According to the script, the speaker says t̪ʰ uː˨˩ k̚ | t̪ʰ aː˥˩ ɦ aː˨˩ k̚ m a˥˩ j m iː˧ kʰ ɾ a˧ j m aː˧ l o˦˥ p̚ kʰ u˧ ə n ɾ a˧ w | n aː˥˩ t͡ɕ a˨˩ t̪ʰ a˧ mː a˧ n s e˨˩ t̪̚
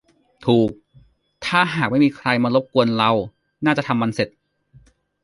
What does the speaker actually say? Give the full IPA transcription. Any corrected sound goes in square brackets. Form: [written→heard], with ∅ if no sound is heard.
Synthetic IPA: t̪ʰ uː˨˩ k̚ | t̪ʰ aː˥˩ ɦ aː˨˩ k̚ m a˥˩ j m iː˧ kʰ ɾ a˧ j m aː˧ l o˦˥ p̚ [kʰ→k] u˧ ə n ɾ a˧ w | n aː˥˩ t͡ɕ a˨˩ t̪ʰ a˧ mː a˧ n s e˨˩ t̪̚